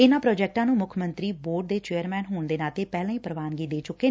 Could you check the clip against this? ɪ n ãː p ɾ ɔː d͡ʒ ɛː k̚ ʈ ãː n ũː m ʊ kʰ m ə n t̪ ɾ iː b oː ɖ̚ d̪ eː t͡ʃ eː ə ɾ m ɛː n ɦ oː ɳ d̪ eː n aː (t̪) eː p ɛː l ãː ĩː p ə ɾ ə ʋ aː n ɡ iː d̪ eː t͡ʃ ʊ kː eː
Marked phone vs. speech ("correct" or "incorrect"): correct